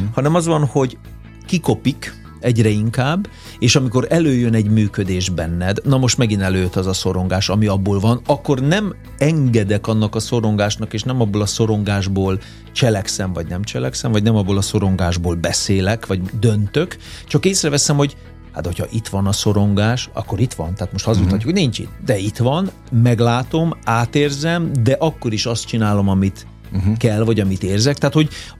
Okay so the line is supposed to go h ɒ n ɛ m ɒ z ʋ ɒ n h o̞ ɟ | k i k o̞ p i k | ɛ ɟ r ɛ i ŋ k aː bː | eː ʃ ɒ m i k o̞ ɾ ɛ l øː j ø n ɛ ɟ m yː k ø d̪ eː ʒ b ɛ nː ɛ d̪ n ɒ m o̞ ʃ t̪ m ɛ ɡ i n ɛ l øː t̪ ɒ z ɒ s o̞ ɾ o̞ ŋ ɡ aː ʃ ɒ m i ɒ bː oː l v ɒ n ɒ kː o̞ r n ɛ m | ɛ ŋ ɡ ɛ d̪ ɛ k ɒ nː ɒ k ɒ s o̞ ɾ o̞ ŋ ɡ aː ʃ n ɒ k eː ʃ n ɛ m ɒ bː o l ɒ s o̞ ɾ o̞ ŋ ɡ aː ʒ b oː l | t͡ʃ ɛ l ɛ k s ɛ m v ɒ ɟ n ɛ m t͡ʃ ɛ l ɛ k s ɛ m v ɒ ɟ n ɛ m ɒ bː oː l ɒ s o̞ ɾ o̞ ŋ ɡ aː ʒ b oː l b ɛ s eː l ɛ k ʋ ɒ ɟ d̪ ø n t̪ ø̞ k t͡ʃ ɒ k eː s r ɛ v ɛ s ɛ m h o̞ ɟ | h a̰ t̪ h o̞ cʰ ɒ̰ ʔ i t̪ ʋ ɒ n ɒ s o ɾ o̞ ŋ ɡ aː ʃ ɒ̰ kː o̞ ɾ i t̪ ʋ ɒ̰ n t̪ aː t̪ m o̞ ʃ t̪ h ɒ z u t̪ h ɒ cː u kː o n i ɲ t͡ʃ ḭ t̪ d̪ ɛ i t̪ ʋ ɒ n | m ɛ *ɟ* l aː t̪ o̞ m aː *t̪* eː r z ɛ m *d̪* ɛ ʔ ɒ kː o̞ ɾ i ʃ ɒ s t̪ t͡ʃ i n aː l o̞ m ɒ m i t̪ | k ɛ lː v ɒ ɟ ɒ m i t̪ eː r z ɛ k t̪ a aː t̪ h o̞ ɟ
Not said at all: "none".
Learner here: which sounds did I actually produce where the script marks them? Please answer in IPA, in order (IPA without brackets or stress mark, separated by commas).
ɡ, t̪, d̪